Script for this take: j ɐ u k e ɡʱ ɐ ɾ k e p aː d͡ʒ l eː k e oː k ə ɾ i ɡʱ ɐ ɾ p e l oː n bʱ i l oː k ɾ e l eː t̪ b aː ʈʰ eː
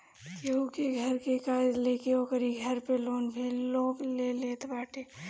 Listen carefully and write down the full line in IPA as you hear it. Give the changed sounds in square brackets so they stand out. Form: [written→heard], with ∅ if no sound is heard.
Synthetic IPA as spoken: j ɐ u k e ɡʱ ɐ ɾ k e [p→k] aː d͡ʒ l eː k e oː k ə ɾ i ɡʱ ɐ ɾ p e l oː n bʱ i l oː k [ɾ→l] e l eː t̪ b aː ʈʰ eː